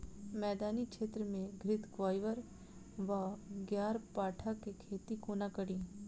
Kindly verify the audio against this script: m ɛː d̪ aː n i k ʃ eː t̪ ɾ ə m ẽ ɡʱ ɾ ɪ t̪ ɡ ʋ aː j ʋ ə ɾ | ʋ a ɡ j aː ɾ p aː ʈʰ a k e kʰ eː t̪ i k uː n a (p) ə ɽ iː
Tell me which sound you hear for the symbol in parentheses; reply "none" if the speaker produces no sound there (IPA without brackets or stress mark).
k